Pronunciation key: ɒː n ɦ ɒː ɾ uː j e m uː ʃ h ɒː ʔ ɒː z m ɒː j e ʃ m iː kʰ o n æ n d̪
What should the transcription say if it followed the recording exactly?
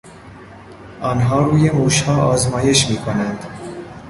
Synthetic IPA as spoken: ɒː n ɦ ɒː ɾ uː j e m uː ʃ h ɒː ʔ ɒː z m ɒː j e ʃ m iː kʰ o n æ n d̪